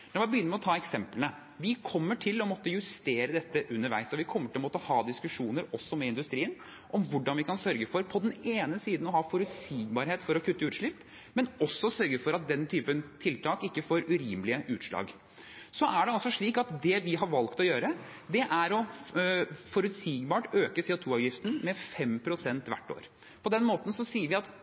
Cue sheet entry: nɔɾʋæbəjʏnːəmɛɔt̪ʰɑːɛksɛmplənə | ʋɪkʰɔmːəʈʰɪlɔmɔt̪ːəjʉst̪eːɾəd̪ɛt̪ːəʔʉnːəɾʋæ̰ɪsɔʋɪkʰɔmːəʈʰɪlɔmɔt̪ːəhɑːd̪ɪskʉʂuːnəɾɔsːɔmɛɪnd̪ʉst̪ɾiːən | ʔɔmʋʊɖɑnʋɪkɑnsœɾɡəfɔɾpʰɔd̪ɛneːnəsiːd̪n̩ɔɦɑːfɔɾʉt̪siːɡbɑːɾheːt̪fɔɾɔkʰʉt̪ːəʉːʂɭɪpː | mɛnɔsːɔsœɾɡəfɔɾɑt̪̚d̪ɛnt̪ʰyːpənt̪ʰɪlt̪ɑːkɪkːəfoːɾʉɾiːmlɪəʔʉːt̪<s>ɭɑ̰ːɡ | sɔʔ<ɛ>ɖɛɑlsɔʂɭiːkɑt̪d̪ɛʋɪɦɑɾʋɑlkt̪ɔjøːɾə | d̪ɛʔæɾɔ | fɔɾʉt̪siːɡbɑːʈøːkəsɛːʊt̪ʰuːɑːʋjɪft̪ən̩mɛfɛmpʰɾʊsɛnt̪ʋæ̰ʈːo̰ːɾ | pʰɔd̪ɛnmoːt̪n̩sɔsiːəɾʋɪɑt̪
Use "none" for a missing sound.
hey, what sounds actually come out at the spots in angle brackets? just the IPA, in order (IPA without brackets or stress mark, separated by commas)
ʂ, æ